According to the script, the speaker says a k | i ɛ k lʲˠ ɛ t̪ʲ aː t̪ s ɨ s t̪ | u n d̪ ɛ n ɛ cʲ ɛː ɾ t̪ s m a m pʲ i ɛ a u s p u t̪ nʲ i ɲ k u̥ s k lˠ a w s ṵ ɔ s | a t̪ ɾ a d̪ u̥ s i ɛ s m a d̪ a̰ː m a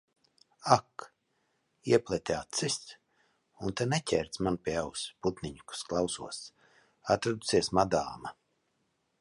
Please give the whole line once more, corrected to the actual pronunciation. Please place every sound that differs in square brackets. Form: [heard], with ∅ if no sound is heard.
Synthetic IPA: a k | i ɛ [p] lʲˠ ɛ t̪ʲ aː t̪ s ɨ s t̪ | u n [t̪] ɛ n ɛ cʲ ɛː ɾ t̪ s m a [n] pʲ i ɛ a [w] s p u t̪ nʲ i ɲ k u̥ s k lˠ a w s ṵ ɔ s | a t̪ ɾ a d̪ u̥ s i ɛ s m a d̪ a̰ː m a